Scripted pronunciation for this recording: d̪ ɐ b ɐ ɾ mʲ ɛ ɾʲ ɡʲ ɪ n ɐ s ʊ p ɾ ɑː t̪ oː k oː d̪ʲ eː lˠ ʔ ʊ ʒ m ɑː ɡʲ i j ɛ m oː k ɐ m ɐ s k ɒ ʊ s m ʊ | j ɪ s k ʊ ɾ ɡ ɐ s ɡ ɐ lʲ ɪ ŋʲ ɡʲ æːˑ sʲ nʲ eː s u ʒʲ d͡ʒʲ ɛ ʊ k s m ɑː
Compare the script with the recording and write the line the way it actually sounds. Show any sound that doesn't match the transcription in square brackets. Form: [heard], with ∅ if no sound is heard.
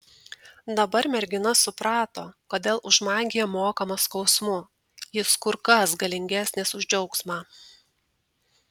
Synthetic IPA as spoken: d̪ ɐ b ɐ ɾ mʲ ɛ ɾʲ ɡʲ ɪ n ɐ s ʊ p ɾ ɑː t̪ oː k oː d̪ʲ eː lˠ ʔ ʊ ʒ m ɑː ɡʲ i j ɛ m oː k ɐ m ɐ s k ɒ ʊ s m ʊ | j ɪ s k ʊ ɾ [k] ɐ s ɡ ɐ lʲ ɪ ŋʲ ɡʲ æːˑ sʲ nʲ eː s [ʊ] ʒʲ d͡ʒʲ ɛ ʊ k s m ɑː